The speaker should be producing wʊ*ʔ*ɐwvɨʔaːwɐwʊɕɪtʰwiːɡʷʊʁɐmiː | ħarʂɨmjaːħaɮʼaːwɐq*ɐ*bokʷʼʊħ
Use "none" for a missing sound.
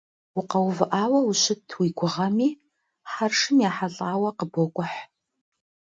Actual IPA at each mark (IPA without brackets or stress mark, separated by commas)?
q, ə